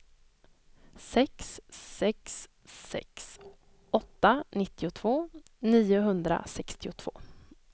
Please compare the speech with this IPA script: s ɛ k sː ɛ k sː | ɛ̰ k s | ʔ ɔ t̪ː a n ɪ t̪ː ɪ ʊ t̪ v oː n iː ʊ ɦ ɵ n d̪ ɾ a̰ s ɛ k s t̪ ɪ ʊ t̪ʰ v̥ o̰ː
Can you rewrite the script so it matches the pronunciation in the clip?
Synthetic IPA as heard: s ɛ k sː ɛ k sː | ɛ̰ k s | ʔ ɔ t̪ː a n ɪ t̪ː ɪ ʊ t̪ʰ v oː n iː ʊ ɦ ɵ n d̪ ɾ a̰ s ɛ k s t̪ ɪ ʊ t̪ʰ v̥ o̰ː